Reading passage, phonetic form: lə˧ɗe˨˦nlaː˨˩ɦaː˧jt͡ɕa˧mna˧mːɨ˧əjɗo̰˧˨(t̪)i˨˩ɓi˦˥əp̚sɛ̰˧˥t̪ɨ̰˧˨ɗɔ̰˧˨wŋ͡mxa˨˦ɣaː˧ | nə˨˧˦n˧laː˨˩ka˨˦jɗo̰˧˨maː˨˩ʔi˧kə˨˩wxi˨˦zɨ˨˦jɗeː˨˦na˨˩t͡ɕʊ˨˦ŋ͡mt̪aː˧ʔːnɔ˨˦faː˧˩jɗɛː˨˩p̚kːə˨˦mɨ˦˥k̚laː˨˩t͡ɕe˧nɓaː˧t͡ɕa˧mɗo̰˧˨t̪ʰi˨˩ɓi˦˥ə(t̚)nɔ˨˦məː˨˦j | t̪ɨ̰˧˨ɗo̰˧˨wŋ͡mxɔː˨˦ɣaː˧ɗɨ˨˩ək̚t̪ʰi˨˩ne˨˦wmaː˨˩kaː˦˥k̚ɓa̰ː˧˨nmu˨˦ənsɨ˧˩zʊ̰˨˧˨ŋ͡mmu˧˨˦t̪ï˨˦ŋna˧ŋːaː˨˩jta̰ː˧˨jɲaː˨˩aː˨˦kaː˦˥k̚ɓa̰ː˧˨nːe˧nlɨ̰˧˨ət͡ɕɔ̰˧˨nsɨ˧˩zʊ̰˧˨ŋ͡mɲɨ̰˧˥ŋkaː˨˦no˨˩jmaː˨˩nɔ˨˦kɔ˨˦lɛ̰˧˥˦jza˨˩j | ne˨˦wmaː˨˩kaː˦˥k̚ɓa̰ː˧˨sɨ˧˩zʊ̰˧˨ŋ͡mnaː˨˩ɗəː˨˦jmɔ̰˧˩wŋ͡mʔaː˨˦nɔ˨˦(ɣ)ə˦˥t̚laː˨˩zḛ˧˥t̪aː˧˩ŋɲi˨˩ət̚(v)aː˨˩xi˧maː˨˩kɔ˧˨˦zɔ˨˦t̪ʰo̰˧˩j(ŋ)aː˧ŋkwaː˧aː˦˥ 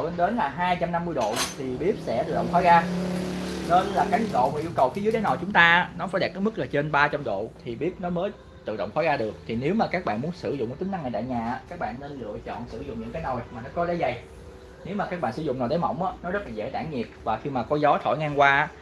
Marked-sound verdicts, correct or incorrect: incorrect: t̪ʰ, incorrect: p̚, incorrect: z, correct, correct

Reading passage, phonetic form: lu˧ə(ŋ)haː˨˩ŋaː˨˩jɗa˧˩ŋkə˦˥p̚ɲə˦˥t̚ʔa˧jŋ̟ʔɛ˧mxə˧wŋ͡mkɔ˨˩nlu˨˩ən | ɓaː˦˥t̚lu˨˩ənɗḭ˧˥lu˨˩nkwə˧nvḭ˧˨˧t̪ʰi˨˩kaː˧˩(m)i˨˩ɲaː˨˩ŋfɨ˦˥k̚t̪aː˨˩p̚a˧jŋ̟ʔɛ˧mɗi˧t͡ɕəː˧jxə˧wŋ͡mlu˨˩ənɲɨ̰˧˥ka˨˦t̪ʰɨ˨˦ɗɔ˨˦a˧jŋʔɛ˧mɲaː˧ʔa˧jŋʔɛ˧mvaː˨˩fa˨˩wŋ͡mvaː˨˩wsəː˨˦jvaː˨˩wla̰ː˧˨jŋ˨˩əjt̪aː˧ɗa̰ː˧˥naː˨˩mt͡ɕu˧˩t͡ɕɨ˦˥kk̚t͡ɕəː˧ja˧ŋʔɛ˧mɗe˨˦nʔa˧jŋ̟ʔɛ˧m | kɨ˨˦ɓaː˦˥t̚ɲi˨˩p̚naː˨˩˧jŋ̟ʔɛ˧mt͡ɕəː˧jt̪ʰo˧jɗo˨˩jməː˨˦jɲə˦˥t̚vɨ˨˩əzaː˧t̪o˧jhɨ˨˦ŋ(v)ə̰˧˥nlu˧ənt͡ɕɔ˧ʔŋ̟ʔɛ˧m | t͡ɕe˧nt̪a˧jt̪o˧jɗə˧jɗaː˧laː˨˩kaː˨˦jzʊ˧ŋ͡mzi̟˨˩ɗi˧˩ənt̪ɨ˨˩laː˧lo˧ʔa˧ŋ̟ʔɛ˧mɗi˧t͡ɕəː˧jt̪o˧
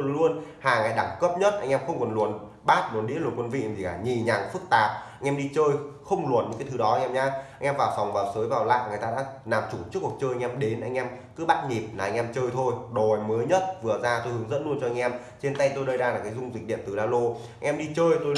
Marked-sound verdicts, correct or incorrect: incorrect: n, incorrect: ɲ, incorrect: z

